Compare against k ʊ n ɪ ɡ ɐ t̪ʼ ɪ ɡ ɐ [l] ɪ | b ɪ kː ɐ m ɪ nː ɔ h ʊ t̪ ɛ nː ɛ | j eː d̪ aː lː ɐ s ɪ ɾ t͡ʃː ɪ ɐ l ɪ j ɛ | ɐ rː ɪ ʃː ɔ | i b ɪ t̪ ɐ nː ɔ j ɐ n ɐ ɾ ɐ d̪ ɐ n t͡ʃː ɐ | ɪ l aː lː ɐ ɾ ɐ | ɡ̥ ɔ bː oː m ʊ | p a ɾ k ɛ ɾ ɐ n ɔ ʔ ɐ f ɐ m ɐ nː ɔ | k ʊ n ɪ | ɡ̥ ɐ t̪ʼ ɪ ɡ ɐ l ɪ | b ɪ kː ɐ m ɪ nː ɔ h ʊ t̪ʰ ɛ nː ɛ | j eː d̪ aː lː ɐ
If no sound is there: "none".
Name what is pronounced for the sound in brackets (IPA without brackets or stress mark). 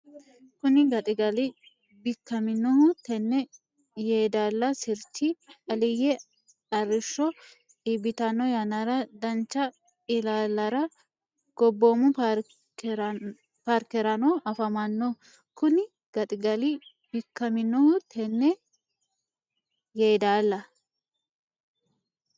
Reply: l